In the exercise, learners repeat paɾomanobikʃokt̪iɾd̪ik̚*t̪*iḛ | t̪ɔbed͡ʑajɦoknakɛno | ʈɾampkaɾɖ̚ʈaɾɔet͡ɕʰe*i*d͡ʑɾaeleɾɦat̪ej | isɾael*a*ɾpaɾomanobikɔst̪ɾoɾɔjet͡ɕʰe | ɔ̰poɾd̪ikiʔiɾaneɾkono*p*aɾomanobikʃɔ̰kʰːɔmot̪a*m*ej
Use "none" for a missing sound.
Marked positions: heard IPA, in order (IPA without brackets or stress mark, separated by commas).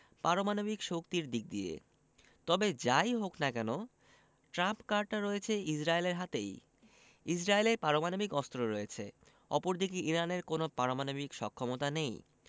d̪, i, e, p, n